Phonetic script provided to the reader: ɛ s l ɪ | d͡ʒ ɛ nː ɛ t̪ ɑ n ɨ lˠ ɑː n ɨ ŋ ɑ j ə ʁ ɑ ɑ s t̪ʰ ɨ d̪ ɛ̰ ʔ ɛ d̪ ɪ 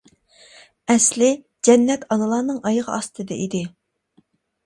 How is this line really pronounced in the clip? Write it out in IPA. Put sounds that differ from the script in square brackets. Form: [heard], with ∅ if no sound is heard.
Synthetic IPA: ɛ s l ɪ | d͡ʒ ɛ nː ɛ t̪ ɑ n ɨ lˠ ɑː n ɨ ŋ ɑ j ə ʁ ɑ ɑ s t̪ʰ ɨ d̪ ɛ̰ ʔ [i] d̪ ɪ